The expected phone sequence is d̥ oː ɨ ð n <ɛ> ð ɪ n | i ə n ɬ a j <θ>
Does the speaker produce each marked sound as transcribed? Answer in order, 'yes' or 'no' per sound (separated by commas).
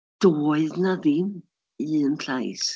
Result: no, no